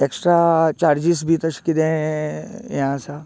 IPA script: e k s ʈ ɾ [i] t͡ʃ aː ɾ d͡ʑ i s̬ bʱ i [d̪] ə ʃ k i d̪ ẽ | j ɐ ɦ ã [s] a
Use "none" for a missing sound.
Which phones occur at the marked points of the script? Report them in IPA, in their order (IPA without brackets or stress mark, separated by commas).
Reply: a, t̪, s